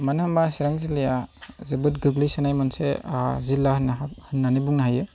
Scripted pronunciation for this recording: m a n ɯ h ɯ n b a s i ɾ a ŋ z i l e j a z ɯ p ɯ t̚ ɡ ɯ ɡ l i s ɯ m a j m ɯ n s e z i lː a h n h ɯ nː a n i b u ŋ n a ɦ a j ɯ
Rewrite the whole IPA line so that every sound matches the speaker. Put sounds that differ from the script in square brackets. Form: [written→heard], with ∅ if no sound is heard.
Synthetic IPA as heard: m a n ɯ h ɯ [n→m] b a s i ɾ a ŋ z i l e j a z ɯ [p→b] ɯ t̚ ɡ ɯ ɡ l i s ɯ [m→n] a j m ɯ n s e z i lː a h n h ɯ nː a n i b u ŋ n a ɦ a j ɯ